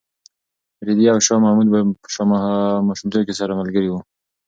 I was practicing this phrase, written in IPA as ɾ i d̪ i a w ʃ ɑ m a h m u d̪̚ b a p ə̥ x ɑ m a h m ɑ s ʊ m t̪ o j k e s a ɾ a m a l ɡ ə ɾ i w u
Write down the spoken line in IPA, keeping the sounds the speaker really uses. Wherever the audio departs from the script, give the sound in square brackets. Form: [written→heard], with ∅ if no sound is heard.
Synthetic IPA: ɾ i d̪ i a w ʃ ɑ m a h m u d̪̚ b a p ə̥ [x→ʃ] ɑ m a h m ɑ [s→ʃ] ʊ m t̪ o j k e s a ɾ a m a l ɡ ə ɾ i w u